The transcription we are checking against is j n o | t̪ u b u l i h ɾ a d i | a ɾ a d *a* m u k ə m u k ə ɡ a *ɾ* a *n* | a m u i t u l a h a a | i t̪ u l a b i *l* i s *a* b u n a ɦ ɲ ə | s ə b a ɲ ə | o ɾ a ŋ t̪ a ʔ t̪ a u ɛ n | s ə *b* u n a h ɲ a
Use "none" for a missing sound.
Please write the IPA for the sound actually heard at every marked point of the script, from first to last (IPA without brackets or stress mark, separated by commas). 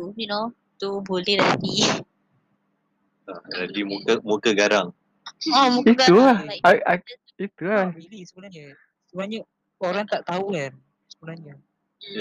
i, ɾ, ŋ, l, ə, b